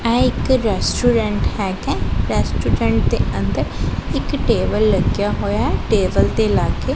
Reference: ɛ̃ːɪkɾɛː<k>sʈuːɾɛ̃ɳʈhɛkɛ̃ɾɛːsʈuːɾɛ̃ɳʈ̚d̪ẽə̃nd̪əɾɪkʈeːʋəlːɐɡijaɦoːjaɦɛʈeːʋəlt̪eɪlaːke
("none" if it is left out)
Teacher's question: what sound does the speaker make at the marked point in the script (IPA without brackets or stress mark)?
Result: none